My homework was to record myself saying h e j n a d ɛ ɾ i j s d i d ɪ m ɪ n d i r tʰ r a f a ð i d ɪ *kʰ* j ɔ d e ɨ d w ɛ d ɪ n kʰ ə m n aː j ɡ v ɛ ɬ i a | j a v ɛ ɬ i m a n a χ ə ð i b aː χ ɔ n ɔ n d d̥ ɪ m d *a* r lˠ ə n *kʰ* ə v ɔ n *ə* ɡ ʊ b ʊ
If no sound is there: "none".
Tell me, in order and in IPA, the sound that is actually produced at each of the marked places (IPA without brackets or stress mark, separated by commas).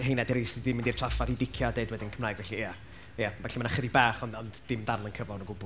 kʰ, a, kʰ, ə